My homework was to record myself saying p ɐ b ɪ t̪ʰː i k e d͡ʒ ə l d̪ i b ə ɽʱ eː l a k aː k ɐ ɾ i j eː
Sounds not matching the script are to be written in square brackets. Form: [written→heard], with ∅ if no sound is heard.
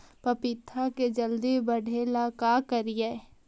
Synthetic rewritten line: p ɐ [b→p] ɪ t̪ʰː [i→a] k e d͡ʒ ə l d̪ i b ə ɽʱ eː l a k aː k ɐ ɾ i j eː